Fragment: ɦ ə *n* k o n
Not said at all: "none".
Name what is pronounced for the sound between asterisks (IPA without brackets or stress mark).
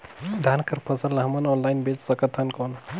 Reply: n